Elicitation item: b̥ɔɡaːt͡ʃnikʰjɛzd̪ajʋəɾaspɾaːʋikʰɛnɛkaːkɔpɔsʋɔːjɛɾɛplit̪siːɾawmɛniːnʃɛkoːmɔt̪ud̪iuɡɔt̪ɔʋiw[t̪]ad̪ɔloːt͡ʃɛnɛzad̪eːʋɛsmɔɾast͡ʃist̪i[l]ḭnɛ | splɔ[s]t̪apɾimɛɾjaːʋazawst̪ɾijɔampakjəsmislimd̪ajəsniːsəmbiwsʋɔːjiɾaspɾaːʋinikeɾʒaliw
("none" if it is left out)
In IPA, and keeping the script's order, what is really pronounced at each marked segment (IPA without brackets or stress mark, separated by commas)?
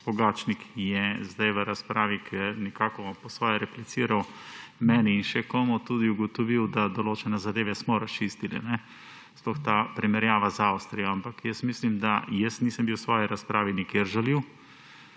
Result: d̪, l, x